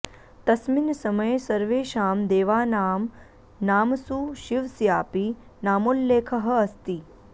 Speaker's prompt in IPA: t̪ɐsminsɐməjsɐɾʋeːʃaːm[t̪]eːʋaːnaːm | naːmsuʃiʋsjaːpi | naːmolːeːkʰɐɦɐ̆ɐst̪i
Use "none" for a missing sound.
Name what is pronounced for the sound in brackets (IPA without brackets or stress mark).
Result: d̪